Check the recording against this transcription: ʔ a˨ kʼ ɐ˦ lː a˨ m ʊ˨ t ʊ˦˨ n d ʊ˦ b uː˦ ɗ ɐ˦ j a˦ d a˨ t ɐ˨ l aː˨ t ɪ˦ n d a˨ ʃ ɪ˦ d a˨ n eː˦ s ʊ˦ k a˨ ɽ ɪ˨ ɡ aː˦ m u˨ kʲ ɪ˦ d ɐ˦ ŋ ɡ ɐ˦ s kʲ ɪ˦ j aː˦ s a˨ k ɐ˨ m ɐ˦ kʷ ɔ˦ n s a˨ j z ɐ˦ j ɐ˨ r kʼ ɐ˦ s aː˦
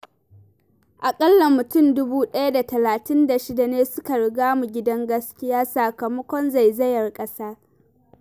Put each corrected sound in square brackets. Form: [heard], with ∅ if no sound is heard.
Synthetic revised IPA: ʔ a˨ kʼ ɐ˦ lː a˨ m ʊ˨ t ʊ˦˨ n d ʊ˦ b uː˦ ɗ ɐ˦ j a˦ d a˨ t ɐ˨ l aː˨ t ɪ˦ n d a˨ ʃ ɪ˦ d a˨ n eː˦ s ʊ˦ k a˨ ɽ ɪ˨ ɡ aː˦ m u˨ [ɡʲ] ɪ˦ d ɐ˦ ŋ ɡ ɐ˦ s kʲ ɪ˦ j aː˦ s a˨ k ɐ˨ m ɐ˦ kʷ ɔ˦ n [z] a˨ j z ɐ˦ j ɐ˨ r kʼ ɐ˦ s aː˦